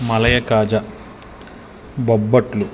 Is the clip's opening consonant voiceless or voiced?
voiced